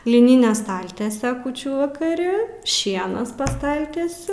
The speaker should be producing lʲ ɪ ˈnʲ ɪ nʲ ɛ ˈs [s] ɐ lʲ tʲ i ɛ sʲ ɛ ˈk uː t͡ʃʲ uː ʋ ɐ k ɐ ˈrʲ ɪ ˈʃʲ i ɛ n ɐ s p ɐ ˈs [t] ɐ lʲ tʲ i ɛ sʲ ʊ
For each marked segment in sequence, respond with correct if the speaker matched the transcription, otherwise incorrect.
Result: incorrect: t, correct

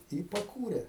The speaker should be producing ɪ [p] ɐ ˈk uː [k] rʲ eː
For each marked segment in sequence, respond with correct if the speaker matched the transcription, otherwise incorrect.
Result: correct, incorrect: none

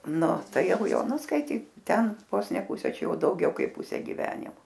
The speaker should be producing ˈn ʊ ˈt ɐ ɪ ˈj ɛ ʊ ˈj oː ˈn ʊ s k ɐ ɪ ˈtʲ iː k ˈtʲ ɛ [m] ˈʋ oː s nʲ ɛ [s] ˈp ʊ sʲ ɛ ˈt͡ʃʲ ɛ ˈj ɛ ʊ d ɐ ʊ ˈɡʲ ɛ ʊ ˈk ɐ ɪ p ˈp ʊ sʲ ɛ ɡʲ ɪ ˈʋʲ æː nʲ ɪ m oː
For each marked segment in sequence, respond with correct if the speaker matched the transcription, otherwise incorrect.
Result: incorrect: n, incorrect: none

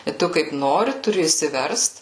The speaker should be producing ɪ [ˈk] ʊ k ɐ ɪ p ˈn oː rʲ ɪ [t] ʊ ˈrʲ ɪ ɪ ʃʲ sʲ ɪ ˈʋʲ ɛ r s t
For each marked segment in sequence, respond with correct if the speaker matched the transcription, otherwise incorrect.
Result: incorrect: t, correct

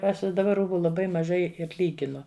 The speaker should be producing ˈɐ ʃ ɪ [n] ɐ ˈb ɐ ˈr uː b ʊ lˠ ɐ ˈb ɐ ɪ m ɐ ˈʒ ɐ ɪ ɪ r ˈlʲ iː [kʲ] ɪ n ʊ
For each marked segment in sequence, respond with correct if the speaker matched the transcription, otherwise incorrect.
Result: incorrect: d, incorrect: ɡʲ

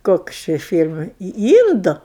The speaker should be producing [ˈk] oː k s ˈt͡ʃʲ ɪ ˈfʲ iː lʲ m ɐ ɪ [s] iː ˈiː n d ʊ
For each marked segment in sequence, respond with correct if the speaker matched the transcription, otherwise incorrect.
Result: correct, incorrect: none

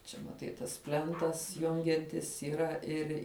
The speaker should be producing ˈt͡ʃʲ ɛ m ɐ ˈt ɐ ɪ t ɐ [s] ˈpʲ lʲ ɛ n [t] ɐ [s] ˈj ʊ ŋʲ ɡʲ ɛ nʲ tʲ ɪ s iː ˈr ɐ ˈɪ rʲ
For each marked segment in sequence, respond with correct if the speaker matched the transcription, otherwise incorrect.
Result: correct, correct, correct

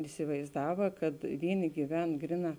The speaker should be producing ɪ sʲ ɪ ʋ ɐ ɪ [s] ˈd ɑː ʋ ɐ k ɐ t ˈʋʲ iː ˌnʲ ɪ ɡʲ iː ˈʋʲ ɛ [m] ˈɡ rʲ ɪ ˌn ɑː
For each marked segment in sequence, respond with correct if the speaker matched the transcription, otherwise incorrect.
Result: incorrect: z, incorrect: n

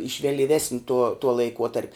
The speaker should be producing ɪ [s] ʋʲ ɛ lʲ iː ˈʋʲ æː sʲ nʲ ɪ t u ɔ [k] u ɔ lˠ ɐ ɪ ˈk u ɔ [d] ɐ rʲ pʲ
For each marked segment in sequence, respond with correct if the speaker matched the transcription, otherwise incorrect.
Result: incorrect: ʃ, incorrect: t, incorrect: t

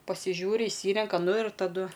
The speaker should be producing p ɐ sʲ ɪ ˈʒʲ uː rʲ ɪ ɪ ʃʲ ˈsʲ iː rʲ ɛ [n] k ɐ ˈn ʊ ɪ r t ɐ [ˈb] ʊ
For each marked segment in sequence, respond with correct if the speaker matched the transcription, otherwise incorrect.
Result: incorrect: ŋ, incorrect: d

